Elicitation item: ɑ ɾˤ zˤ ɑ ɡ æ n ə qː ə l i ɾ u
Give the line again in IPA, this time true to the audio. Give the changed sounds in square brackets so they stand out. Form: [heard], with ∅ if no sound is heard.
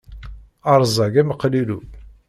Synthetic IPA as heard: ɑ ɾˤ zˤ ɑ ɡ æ [m] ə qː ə l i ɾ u